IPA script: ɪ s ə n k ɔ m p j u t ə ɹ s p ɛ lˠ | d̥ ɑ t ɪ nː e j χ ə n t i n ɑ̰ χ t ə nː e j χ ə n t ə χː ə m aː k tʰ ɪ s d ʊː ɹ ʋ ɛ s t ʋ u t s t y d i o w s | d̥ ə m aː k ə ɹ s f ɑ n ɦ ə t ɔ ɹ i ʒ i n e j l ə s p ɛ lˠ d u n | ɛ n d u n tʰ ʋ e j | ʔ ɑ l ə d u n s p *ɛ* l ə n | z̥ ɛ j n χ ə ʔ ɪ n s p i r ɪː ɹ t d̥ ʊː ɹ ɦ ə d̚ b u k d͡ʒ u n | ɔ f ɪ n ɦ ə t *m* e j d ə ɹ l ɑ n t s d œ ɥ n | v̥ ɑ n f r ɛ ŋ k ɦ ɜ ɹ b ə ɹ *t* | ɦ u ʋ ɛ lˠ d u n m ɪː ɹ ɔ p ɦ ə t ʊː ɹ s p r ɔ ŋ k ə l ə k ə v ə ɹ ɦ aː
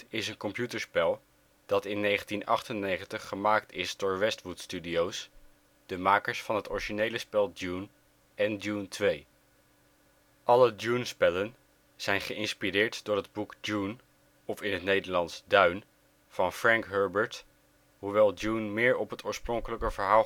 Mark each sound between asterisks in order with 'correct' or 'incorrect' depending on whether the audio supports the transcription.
correct, incorrect: n, correct

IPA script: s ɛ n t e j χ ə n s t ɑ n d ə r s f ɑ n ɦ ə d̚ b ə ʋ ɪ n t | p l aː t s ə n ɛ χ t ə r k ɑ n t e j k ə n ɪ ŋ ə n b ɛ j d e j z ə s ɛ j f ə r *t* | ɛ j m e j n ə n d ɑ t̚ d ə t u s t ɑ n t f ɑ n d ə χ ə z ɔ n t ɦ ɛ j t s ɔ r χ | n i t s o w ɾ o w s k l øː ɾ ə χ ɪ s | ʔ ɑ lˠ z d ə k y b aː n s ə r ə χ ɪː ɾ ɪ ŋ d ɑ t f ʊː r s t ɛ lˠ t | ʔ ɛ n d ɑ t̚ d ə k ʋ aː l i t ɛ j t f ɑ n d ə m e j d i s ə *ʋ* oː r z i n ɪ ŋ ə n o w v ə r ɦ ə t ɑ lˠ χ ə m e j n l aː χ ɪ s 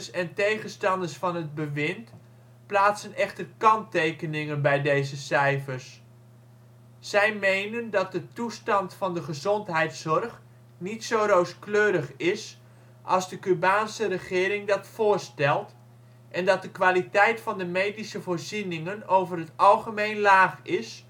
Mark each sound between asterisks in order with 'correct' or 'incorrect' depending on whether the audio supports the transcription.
incorrect: s, incorrect: v

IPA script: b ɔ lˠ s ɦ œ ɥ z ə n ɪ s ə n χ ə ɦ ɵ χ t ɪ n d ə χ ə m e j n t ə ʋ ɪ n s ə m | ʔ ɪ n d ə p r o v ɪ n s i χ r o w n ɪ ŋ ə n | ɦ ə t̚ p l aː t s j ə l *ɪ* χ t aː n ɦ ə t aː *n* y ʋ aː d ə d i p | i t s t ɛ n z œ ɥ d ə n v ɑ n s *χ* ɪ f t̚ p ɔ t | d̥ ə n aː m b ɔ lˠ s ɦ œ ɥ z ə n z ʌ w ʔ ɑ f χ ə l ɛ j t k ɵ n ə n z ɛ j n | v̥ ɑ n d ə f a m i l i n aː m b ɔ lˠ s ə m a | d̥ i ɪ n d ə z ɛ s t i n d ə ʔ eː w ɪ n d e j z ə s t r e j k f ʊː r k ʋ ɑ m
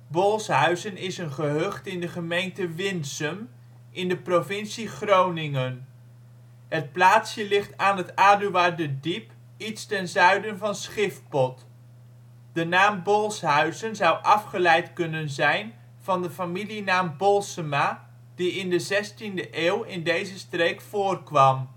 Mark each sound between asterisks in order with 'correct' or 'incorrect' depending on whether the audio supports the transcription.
correct, incorrect: d, correct

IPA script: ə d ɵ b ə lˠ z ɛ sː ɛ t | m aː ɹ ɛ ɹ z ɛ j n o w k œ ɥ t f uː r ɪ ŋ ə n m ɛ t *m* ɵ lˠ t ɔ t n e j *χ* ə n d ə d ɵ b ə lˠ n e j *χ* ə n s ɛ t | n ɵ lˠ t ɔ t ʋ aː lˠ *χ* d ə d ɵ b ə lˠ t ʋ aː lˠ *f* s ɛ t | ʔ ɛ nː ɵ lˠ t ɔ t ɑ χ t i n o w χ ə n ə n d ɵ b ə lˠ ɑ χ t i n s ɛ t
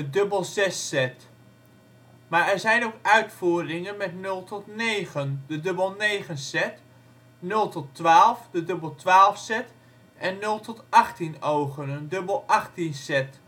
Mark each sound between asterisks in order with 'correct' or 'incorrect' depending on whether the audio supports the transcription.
incorrect: n, correct, correct, incorrect: f, correct

